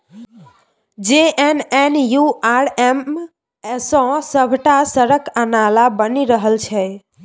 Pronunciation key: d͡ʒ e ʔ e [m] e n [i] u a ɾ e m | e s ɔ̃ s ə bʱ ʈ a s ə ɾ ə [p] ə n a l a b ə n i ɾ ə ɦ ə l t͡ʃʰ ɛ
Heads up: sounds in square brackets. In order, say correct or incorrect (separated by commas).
incorrect, incorrect, incorrect